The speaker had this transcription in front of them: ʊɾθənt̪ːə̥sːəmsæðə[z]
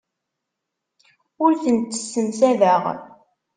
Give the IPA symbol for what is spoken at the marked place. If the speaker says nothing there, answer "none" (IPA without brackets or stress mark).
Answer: ʁ